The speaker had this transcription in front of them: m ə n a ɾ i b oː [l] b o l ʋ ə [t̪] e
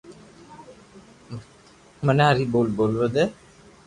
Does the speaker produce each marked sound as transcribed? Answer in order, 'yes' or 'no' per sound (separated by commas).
yes, no